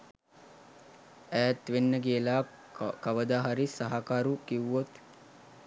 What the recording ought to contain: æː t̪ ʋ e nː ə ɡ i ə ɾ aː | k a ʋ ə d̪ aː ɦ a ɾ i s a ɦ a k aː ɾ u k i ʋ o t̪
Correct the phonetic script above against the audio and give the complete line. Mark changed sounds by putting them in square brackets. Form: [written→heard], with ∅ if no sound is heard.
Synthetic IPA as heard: æː t̪ ʋ e nː ə ɡ i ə [ɾ→l] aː | k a ʋ ə d̪ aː ɦ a ɾ i s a ɦ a k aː ɾ u k i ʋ o t̪